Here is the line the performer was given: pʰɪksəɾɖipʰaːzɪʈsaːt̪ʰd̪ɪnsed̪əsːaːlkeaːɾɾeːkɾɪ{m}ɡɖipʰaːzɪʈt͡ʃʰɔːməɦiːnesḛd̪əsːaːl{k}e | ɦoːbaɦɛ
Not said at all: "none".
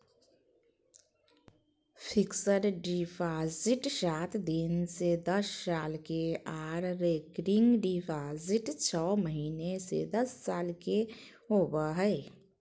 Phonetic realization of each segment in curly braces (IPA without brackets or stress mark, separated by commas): ŋ, k